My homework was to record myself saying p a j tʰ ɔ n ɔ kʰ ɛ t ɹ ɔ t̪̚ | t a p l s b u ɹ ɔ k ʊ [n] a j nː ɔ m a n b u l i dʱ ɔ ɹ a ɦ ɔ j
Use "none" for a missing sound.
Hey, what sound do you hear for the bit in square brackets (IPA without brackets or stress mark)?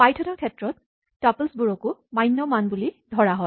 m